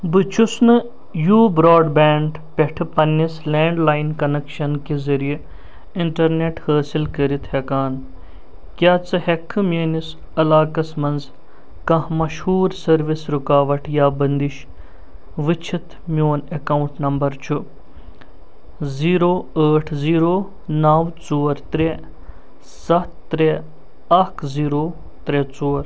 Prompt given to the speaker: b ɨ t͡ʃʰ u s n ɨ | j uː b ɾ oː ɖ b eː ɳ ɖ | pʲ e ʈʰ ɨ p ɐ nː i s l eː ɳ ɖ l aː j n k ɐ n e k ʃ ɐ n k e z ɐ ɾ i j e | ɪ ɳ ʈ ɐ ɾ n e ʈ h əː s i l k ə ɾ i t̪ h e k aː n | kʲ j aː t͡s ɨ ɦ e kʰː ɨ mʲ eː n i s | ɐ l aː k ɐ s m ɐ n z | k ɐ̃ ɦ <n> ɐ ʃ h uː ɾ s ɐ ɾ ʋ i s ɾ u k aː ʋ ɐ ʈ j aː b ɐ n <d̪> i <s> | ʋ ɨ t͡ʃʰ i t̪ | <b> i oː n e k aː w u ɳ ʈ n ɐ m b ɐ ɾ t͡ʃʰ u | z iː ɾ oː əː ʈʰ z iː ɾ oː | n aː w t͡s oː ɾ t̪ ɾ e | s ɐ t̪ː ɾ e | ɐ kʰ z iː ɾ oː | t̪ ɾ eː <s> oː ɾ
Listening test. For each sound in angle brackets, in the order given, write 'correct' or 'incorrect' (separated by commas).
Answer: incorrect, correct, incorrect, incorrect, incorrect